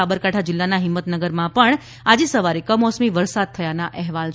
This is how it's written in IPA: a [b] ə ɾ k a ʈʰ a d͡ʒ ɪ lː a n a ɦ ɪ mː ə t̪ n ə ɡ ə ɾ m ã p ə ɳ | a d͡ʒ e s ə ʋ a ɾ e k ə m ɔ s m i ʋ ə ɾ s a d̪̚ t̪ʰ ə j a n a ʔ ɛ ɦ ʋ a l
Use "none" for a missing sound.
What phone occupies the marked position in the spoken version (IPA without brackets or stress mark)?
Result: b